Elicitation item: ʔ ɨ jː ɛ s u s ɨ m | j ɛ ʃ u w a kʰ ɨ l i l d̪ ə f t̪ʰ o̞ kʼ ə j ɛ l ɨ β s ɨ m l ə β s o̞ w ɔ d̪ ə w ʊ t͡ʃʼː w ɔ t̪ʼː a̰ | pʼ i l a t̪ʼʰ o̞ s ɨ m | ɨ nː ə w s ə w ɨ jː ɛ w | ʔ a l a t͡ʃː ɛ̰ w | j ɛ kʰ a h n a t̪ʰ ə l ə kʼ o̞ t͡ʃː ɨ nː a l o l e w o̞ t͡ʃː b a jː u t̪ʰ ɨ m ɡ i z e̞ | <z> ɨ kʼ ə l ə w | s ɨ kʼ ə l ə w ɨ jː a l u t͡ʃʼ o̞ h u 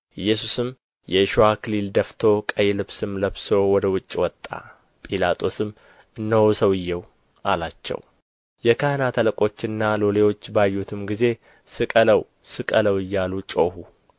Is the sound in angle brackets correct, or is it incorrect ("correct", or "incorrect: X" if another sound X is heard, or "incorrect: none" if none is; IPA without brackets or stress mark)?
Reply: incorrect: s